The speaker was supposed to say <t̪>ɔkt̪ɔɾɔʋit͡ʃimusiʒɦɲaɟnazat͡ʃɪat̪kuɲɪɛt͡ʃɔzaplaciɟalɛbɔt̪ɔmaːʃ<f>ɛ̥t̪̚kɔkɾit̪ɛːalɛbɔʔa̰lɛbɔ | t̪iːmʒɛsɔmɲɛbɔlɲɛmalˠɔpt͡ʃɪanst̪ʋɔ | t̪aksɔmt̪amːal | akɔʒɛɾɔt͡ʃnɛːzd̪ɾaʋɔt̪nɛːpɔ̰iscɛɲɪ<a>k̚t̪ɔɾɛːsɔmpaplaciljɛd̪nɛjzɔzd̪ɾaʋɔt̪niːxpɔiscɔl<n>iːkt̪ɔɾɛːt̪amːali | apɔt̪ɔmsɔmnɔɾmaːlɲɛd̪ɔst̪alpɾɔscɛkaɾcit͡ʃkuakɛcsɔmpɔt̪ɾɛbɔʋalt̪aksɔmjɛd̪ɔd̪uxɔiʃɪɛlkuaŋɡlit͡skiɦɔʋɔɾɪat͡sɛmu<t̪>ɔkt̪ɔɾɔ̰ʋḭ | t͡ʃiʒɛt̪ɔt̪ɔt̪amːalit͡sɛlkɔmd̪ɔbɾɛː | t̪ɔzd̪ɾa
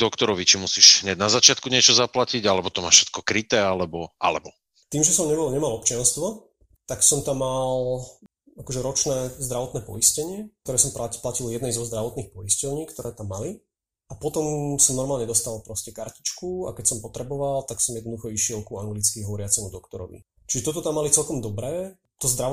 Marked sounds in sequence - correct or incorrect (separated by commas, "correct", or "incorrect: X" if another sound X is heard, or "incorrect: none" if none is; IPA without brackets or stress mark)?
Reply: incorrect: d̪, incorrect: ʃ, incorrect: ɛ, incorrect: ɲ, incorrect: d̪